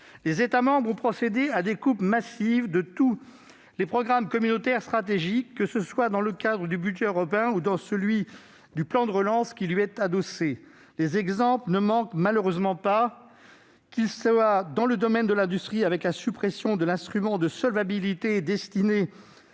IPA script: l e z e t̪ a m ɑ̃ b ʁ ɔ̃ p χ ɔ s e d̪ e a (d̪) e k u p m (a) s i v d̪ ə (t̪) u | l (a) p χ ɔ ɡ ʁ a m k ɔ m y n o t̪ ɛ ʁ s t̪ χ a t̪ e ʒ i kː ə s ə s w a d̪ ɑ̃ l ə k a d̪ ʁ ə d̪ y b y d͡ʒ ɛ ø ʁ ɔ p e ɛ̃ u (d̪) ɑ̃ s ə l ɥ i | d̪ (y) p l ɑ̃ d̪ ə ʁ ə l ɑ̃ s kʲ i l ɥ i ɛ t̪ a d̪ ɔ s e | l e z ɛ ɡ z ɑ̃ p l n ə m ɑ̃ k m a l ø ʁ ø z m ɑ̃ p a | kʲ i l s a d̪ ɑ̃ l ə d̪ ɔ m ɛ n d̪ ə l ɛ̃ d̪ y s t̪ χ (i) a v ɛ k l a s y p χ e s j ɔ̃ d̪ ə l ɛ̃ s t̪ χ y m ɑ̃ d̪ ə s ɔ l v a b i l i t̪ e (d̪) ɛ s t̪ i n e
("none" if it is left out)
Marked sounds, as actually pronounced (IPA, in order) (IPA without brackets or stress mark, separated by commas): d̪, a, t̪, e, d̪, y, i, d̪